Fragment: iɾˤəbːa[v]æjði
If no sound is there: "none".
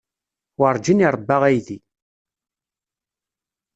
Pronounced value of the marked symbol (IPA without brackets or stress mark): ʁ